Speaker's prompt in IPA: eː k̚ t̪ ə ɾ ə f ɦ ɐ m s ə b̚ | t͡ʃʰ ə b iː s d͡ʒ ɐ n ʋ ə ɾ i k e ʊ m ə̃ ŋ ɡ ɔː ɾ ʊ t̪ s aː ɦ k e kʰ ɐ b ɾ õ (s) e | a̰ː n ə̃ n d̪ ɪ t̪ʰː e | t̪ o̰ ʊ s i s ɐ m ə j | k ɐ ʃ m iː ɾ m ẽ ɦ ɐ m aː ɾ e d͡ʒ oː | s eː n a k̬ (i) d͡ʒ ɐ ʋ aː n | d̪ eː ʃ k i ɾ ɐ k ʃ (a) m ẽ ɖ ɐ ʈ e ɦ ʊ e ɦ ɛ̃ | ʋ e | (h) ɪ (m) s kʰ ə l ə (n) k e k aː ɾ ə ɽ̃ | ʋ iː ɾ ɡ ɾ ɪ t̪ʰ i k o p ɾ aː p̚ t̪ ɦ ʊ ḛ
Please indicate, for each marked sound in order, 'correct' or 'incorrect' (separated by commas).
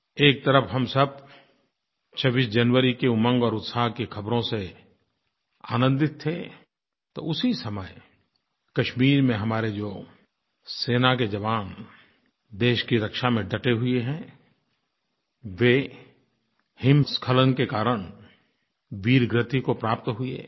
correct, incorrect, correct, correct, correct, correct